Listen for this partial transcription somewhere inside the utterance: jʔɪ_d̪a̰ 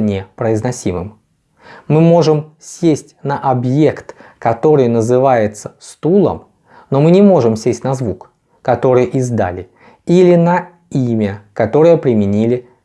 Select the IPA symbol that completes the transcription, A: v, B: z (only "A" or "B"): B